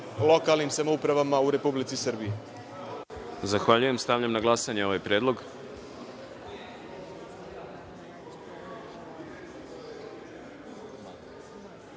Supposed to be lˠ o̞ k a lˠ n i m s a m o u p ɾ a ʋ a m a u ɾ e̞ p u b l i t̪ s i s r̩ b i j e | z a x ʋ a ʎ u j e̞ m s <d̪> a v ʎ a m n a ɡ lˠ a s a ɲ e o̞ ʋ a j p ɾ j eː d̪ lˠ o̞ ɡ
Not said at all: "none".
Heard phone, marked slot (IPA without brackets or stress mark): t̪